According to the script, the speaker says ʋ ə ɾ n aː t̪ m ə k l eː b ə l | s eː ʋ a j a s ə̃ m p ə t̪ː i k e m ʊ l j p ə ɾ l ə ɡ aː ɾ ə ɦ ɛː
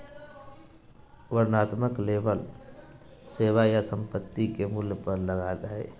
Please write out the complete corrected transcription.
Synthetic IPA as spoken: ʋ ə ɾ n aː t̪ m ə k l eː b ə l | s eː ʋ a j a s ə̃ m p ə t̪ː i k e m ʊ l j p ə ɾ l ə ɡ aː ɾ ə ɦ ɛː